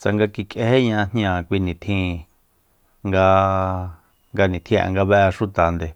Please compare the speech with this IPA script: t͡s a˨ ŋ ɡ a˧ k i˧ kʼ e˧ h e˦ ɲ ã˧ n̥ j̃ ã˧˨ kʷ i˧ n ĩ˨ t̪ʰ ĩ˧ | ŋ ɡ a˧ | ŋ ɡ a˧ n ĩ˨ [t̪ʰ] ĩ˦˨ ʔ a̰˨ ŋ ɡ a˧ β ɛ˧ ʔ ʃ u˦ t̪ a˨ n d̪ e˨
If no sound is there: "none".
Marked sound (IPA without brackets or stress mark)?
t̪ʰ